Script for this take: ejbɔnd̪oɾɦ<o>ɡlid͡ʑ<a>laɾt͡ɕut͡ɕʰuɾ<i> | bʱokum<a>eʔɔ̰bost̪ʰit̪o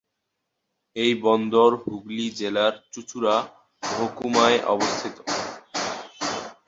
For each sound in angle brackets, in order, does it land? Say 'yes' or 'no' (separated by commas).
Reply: no, no, no, yes